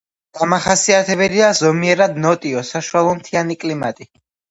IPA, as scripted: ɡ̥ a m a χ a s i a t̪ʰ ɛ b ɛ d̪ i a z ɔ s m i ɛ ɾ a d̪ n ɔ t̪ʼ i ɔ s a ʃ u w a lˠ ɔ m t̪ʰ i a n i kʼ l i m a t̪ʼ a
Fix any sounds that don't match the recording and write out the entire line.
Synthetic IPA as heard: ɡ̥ a m a χ a s i a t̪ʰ ɛ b ɛ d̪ i a z ɔ m i ɛ ɾ a d̪ n ɔ t̪ʼ i ɔ s a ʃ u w a lˠ ɔ m t̪ʰ i a n i kʼ l i m a t̪ʼ i